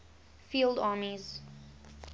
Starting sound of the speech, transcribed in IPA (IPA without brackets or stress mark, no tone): f